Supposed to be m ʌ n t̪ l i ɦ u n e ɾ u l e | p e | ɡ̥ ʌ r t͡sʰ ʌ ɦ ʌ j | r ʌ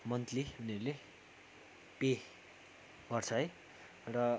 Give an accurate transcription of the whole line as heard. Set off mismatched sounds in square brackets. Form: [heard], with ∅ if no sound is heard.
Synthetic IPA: m ʌ n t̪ l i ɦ u n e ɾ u l e | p e | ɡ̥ ʌ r t͡sʰ ʌ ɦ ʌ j | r ʌ